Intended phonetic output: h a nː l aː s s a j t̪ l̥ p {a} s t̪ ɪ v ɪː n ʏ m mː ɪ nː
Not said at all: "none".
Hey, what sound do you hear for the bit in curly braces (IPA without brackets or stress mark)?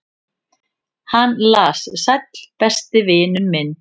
ɛ